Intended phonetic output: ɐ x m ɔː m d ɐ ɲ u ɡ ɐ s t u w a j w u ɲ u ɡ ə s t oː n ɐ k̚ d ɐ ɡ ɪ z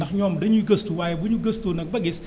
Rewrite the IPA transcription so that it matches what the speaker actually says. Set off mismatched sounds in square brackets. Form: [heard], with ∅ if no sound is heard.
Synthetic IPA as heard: ɐ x [ɲ] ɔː m d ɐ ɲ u ɡ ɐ s t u w a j [b] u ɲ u ɡ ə s t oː n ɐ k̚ [b] ɐ ɡ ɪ [s]

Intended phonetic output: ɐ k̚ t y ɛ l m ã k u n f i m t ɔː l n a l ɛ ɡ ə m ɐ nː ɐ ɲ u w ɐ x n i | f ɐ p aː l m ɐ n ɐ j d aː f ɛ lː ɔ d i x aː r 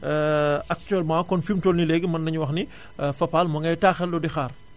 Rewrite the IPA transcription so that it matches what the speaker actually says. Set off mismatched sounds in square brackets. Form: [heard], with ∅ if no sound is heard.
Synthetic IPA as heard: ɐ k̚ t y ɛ l m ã k [ɔ] n f i m t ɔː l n [i] l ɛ ɡ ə m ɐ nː ɐ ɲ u w ɐ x n i | f ɐ p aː l m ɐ [ŋ] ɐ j [t] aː [x] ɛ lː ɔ d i x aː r

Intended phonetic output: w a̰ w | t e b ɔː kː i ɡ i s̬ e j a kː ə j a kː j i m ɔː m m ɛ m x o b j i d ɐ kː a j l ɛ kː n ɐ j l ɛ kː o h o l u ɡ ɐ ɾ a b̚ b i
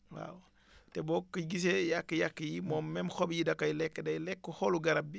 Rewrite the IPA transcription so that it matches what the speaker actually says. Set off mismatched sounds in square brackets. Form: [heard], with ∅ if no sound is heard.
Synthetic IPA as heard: w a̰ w | t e b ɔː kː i ɡ i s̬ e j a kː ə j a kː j i m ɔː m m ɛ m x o b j i d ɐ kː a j l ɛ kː [d] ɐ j l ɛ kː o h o l u ɡ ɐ ɾ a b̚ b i

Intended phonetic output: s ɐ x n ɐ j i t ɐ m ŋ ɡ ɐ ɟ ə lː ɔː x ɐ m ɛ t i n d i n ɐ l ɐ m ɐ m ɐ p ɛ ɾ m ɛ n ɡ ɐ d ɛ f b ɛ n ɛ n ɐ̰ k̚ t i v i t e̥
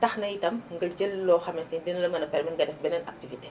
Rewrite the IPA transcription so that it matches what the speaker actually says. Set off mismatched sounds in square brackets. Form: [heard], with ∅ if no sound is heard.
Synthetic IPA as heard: [t] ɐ x n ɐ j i t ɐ m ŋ ɡ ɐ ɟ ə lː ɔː x ɐ m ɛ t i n d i n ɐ l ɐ m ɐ [n] ɐ p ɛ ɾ m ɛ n ɡ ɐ d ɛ f b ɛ n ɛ n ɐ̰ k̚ t i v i t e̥

